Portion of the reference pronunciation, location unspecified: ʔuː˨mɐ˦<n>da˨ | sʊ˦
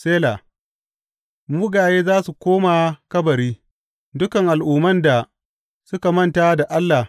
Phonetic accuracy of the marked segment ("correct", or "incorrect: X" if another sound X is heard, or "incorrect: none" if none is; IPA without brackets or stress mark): correct